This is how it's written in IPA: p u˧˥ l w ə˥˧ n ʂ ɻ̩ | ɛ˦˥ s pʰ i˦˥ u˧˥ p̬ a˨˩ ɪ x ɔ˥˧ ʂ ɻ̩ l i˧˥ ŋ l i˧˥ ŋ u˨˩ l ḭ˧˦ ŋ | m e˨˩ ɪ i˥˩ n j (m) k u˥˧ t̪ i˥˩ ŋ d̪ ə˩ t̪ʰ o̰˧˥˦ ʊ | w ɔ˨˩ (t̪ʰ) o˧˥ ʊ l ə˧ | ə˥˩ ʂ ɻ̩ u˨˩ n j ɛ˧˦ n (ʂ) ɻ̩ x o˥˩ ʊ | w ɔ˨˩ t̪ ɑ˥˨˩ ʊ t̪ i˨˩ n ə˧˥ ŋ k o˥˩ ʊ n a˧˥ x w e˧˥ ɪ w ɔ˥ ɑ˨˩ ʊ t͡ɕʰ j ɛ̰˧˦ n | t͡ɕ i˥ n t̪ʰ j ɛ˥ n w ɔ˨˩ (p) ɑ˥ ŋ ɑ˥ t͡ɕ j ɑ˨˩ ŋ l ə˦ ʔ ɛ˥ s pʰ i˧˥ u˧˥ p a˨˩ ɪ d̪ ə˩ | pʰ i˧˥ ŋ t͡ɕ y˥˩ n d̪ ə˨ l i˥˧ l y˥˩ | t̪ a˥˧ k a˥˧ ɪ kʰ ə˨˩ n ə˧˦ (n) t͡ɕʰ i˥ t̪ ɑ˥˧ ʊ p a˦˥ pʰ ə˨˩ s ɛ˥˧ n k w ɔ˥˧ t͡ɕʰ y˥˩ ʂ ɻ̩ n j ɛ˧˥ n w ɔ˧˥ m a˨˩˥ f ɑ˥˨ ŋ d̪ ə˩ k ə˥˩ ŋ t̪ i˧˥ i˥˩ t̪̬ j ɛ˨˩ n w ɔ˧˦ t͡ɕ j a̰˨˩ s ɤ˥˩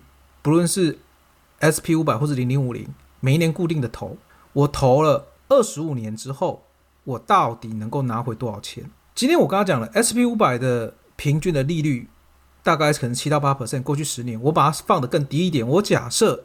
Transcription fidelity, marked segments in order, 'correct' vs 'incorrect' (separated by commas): incorrect, correct, incorrect, incorrect, incorrect